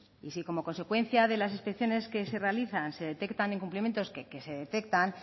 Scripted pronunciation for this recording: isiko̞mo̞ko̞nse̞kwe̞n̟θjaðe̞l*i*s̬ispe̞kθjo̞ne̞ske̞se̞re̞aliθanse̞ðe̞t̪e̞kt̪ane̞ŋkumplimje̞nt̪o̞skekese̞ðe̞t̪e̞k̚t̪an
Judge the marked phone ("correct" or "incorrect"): incorrect